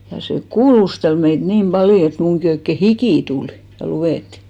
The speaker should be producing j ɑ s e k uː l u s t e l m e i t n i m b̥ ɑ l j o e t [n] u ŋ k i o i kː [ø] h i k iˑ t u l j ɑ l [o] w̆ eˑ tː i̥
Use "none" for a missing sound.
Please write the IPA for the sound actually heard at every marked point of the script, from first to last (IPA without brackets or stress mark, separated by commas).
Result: m, e, u